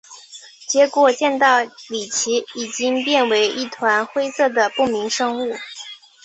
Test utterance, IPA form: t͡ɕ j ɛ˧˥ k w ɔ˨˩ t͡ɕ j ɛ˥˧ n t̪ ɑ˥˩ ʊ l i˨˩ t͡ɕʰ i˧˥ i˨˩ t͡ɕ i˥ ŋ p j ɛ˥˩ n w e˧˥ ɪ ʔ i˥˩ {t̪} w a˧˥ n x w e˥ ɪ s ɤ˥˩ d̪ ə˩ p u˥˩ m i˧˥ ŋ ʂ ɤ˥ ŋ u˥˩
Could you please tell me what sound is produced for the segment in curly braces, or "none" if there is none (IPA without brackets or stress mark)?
t̪ʰ